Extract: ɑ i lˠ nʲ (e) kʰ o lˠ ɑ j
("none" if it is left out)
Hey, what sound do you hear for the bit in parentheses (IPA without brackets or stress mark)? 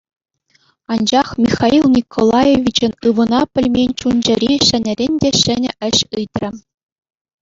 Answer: i